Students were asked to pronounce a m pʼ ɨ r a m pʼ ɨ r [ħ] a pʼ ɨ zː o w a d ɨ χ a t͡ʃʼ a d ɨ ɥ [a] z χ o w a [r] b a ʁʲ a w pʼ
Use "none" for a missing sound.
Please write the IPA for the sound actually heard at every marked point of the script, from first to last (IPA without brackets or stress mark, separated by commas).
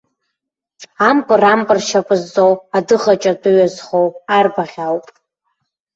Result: ʃ, a, r